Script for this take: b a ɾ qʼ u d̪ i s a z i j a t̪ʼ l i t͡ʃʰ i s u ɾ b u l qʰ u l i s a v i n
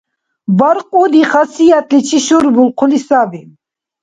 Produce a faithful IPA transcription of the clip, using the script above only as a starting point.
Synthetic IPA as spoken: b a ɾ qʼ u d̪ i χ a s i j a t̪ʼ l i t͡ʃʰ i ʃ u ɾ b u l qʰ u l i s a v i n